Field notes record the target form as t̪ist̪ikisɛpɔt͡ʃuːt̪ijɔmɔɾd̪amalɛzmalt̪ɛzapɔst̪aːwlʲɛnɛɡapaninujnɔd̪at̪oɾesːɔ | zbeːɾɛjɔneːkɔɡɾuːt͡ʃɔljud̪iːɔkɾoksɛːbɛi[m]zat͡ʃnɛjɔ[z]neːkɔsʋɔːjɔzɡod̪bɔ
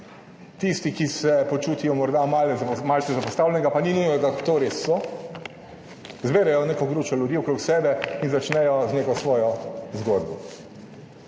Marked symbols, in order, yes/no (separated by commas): no, yes